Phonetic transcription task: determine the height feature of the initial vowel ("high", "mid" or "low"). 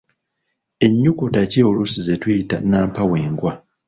mid